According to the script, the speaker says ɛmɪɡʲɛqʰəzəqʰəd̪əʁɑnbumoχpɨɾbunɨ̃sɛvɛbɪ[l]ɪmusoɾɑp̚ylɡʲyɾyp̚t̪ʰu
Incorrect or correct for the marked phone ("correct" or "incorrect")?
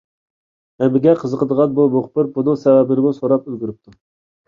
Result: incorrect